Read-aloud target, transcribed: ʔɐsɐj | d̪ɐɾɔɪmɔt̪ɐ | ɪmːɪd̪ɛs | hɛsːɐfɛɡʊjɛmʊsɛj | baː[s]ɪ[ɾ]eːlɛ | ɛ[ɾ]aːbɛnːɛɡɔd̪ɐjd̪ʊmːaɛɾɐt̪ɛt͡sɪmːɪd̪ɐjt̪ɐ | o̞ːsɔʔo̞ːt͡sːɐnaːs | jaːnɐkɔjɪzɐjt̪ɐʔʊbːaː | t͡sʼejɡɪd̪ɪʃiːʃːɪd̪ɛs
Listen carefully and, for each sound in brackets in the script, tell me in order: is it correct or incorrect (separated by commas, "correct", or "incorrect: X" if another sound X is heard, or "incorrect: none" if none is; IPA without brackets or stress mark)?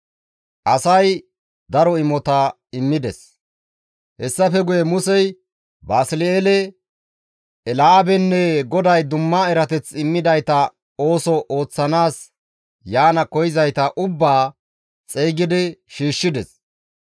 correct, incorrect: l, incorrect: l